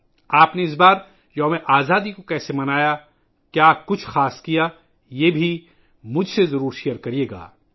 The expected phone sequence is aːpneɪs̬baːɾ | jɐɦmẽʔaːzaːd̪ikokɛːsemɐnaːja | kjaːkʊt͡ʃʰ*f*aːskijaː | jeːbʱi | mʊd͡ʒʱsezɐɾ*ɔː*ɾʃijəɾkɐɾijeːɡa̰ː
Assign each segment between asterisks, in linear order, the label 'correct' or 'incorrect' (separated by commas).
incorrect, incorrect